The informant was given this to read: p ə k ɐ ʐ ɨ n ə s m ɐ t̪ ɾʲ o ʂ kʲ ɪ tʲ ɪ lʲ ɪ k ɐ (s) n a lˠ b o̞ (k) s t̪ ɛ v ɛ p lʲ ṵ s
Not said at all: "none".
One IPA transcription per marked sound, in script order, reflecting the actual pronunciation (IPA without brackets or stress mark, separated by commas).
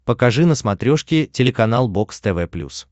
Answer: none, k